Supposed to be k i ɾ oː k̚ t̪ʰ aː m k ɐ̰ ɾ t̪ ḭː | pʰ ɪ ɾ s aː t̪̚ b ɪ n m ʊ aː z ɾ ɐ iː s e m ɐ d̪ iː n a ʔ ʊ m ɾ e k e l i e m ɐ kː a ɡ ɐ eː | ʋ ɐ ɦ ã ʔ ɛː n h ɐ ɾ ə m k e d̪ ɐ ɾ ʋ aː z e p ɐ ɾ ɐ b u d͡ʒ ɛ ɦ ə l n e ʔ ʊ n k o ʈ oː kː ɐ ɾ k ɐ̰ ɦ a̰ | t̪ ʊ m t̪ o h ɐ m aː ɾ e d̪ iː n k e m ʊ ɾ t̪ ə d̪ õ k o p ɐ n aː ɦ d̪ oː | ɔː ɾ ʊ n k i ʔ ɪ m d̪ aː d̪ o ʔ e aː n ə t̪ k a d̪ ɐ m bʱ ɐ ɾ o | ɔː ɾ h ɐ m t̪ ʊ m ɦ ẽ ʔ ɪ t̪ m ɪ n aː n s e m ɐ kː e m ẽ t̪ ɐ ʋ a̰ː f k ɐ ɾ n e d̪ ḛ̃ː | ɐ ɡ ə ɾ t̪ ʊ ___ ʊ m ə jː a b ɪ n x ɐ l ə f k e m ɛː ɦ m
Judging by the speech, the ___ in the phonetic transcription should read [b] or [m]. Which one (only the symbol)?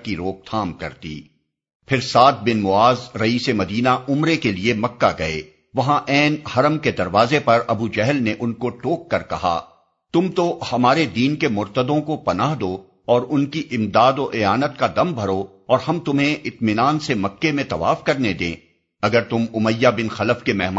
m